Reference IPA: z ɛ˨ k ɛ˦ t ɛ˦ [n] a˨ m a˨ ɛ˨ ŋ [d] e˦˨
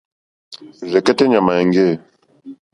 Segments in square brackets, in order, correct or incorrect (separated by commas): incorrect, incorrect